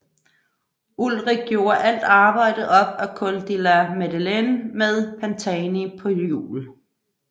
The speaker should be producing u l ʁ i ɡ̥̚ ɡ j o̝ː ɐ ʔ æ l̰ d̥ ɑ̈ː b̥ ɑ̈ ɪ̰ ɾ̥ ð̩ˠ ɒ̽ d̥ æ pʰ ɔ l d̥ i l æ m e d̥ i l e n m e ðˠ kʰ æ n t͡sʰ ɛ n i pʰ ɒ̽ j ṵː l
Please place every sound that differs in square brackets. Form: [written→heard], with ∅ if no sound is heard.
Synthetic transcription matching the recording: u l ʁ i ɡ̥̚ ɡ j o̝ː ɐ ʔ æ l̰ d̥ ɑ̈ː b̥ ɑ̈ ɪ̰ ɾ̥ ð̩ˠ ɒ̽ [d̥→b̥] æ [pʰ→kʰ] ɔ l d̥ i l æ m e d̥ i l e n m e ðˠ [kʰ→pʰ] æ n t͡sʰ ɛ n i pʰ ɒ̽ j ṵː l